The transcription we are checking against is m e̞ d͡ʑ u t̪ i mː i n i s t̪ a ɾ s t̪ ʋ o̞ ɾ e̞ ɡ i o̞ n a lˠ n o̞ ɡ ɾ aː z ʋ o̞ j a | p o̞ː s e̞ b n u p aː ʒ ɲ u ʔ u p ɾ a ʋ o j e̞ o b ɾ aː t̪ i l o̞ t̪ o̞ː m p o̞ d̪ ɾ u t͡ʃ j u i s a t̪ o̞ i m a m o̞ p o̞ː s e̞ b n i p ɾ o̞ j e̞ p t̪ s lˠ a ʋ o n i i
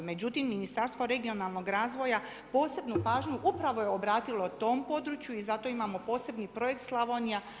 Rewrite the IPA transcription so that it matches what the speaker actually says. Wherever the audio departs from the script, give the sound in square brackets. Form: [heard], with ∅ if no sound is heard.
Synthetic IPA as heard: m e̞ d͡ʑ u t̪ i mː i n i s t̪ a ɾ s t̪ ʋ o̞ ɾ e̞ ɡ i o̞ n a lˠ n o̞ ɡ ɾ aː z ʋ o̞ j a | p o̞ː s e̞ b n u p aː ʒ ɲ u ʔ u p ɾ a ʋ o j e̞ o b ɾ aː t̪ i l o̞ t̪ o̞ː m p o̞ d̪ ɾ u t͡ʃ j u i [z] a t̪ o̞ i m a m o̞ p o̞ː s e̞ b n i p ɾ o̞ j e̞ [k] t̪ s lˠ a ʋ o n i [a]